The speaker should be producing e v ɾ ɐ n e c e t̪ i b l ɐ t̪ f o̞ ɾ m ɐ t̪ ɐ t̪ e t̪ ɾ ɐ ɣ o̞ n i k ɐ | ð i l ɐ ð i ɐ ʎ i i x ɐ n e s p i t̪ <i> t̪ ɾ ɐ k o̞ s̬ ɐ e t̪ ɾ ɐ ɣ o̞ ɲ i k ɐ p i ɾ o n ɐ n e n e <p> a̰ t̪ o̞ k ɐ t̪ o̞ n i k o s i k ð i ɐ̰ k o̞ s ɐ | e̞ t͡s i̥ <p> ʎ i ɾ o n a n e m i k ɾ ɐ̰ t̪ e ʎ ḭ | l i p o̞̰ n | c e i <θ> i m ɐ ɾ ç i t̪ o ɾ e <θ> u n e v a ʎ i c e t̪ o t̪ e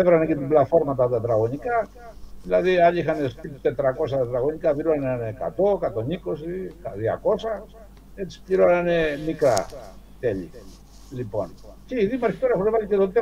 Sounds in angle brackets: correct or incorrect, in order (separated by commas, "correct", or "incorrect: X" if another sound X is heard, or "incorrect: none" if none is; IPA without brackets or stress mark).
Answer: incorrect: e, incorrect: k, correct, incorrect: ð, incorrect: x